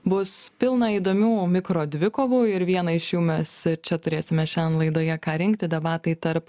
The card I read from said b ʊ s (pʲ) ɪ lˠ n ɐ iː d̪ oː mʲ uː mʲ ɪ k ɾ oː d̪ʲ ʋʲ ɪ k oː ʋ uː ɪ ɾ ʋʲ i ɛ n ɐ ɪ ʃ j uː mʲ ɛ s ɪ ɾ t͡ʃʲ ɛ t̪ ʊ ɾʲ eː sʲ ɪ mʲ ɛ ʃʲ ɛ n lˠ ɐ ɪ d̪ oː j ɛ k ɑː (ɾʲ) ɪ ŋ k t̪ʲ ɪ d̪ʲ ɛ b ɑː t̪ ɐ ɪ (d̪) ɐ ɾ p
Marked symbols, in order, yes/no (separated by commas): yes, yes, no